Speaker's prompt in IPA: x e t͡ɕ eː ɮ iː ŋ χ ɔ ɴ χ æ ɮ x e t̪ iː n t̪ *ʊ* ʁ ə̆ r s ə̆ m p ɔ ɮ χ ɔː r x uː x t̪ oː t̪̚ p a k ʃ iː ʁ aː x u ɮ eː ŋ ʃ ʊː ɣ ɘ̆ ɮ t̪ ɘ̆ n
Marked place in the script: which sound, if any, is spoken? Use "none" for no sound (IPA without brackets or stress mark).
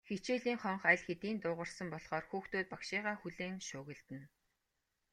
ʊː